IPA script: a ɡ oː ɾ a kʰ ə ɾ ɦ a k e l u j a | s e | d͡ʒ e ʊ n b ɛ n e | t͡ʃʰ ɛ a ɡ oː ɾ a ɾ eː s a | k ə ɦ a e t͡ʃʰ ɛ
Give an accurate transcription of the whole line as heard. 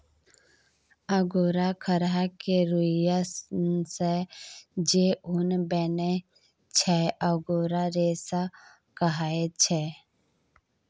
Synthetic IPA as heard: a ɡ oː ɾ a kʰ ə ɾ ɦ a k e ɾ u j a | s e | d͡ʒ e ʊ n b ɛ n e | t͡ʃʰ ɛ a ɡ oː ɾ a ɾ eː s a | k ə ɦ a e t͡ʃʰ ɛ

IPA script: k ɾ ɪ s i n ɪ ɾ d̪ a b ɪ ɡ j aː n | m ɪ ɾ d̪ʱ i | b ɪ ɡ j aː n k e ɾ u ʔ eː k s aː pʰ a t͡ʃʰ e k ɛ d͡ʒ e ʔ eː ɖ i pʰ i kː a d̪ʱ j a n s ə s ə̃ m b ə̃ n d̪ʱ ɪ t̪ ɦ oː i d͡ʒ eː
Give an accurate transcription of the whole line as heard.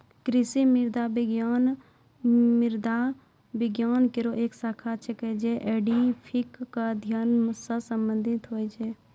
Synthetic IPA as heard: k ɾ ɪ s i m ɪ ɾ d̪ a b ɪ ɡ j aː n | m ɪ ɾ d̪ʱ a | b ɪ ɡ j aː n k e ɾ o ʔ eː k s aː kʰ a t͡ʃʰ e k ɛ d͡ʒ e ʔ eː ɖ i pʰ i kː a d̪ʱ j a n s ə s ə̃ m b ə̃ n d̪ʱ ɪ t̪ ɦ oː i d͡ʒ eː

